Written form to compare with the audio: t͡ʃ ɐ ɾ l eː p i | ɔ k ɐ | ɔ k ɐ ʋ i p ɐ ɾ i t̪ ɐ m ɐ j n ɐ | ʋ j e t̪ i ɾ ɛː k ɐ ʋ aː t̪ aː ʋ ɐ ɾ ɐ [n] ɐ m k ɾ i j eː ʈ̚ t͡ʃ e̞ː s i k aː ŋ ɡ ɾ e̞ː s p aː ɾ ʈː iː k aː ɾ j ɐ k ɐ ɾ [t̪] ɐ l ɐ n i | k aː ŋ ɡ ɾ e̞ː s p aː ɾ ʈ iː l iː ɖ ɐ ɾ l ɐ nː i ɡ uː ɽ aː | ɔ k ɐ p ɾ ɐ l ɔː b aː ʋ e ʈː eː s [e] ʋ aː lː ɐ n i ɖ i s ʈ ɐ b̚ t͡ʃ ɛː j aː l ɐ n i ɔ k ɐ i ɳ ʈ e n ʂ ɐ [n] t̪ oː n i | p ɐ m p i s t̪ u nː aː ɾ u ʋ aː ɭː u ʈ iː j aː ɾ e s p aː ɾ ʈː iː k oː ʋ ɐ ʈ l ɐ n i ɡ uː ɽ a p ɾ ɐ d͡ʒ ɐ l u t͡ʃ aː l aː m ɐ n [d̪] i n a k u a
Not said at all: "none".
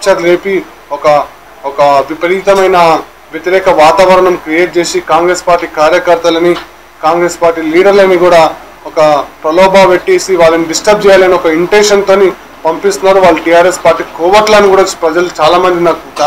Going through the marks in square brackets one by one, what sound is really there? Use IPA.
ɳ, t̪, i, n, d̪

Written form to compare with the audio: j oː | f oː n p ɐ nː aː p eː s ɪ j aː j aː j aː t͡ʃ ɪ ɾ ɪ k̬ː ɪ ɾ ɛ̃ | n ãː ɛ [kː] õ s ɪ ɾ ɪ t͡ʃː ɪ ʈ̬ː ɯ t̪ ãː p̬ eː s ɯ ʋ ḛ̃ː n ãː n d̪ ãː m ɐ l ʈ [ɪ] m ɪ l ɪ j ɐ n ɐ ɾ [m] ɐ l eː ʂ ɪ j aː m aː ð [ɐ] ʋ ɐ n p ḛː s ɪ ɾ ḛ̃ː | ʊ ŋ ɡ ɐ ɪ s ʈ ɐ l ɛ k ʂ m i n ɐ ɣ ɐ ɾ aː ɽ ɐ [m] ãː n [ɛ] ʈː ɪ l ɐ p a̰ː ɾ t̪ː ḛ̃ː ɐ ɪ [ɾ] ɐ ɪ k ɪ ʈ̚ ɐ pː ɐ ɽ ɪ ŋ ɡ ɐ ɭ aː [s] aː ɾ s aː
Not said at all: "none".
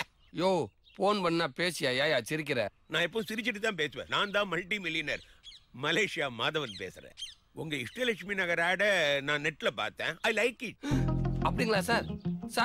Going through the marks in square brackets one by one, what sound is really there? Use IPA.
pː, i, m, ɐ, n, ɛ, l, s

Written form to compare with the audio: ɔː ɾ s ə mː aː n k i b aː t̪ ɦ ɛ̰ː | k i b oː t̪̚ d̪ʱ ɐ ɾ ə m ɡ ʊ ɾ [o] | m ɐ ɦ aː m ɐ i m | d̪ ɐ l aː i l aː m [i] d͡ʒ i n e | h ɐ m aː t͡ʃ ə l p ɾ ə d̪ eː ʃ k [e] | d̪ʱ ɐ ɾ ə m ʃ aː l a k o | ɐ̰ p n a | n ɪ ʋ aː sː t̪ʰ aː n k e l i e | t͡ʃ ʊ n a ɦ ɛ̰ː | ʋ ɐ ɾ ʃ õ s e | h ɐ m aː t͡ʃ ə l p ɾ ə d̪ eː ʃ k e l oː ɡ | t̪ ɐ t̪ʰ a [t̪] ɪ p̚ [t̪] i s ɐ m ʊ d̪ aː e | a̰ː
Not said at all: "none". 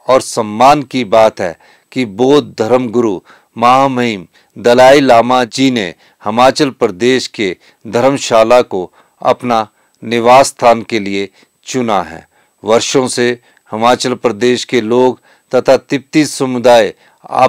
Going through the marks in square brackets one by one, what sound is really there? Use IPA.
u, a, e, t̪, t̪

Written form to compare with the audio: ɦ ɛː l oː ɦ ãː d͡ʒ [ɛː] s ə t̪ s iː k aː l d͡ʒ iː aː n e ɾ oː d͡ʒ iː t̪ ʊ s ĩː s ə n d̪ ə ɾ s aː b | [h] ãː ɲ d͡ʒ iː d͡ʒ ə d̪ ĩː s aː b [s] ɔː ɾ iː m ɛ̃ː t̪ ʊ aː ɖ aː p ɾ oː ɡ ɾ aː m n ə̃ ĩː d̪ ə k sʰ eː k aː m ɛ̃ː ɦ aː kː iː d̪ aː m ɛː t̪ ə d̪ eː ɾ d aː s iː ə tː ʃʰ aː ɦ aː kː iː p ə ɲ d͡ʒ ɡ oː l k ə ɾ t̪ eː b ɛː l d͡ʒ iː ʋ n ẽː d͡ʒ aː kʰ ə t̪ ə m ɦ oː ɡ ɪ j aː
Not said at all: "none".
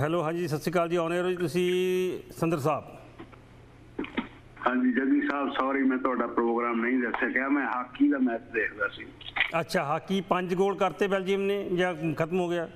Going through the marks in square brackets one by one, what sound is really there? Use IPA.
iː, h, s

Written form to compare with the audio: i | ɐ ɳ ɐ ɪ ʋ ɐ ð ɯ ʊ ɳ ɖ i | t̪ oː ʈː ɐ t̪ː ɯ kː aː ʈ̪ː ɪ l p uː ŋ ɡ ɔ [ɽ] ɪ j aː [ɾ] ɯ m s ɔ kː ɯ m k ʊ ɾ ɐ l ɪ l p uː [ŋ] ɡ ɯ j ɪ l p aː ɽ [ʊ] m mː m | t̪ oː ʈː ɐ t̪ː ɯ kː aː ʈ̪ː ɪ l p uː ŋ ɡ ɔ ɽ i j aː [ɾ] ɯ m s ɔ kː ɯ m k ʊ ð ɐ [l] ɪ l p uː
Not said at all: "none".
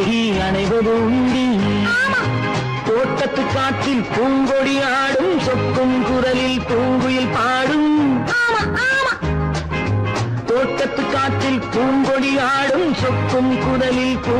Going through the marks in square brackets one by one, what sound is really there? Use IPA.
ɽ, ɽ, ŋ, ɯ, ɽ, l

